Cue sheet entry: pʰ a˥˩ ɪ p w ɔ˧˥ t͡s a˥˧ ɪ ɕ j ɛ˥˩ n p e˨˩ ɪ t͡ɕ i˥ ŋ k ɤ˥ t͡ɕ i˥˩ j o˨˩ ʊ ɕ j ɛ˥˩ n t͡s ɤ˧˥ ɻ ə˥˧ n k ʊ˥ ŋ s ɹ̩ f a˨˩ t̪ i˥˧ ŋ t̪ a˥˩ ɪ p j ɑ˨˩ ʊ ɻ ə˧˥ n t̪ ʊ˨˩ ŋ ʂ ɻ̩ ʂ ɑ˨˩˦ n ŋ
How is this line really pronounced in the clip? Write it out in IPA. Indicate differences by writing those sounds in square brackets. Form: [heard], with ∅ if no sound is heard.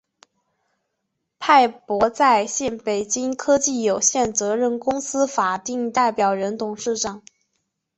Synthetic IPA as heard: pʰ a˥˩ ɪ p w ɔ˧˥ t͡s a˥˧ ɪ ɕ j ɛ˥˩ n p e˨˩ ɪ t͡ɕ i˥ ŋ [kʰ] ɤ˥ t͡ɕ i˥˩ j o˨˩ ʊ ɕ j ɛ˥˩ n t͡s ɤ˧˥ ɻ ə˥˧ n k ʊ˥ ŋ s ɹ̩ f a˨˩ t̪ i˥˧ ŋ t̪ a˥˩ ɪ p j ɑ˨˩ ʊ ɻ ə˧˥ n t̪ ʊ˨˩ ŋ ʂ ɻ̩ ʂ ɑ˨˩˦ [∅] ŋ